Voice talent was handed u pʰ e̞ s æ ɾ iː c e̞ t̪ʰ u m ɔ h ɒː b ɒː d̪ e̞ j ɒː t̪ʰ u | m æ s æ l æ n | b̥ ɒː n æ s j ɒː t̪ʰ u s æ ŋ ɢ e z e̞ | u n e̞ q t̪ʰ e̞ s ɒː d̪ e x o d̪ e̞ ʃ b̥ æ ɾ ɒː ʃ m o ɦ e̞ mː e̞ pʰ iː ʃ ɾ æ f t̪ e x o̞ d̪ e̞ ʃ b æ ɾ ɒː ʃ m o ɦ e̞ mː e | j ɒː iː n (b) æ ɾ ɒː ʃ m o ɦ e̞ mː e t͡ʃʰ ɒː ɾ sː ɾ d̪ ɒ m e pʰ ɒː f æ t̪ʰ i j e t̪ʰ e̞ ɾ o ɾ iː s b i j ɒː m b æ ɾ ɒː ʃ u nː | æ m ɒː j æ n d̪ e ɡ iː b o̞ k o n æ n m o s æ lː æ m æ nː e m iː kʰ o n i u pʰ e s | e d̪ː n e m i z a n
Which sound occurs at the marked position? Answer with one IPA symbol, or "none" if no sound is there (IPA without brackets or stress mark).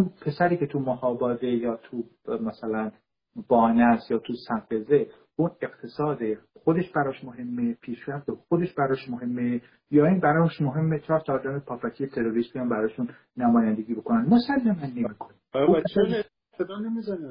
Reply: b